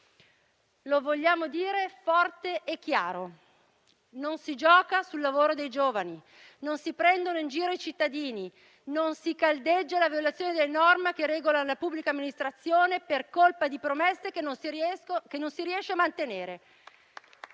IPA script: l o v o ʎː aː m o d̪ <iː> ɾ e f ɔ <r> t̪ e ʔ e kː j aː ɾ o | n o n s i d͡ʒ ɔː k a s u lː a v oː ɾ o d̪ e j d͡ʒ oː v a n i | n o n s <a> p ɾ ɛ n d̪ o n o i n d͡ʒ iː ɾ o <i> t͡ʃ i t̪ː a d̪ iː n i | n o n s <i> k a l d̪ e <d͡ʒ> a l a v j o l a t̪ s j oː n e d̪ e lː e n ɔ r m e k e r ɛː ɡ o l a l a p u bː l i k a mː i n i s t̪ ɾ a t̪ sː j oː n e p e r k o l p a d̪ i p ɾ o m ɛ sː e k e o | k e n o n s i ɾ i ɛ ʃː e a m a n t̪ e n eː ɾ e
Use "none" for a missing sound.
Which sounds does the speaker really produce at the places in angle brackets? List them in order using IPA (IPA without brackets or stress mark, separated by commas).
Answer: iː, r, i, i, i, d͡ʒː